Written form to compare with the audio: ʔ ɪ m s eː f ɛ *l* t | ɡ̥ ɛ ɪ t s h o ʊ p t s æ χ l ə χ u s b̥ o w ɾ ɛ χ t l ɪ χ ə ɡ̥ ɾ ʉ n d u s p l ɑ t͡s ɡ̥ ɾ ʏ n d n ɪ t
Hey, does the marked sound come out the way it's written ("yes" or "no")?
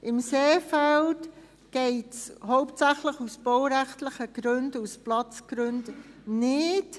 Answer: yes